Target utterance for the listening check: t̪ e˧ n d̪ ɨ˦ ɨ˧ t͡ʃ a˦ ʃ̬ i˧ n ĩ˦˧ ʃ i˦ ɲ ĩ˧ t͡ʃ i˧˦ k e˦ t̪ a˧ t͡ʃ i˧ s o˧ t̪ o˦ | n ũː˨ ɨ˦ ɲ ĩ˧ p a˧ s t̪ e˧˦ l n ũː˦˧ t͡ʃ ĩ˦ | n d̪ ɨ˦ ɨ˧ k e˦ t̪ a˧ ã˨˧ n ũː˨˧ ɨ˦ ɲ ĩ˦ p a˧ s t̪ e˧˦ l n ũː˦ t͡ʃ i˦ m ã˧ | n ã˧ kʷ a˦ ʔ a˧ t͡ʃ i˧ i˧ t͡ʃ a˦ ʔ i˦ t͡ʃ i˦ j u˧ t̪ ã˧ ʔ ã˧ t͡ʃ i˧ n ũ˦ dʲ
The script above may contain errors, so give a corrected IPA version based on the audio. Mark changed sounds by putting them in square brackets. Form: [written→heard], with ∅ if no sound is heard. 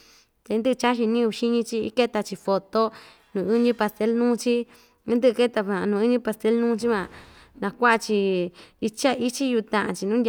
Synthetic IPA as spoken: t̪ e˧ n d̪ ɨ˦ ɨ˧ t͡ʃ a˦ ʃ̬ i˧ n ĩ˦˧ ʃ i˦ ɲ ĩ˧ t͡ʃ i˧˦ k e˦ t̪ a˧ t͡ʃ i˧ [s→f] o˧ t̪ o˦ | n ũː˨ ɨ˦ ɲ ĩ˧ p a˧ s t̪ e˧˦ l n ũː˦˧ t͡ʃ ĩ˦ | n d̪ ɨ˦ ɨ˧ k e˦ t̪ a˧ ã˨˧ n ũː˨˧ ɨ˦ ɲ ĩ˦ p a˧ s t̪ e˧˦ l n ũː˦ t͡ʃ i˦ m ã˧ | n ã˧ kʷ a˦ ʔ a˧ t͡ʃ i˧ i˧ t͡ʃ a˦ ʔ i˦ t͡ʃ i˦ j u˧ t̪ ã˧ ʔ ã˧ t͡ʃ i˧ n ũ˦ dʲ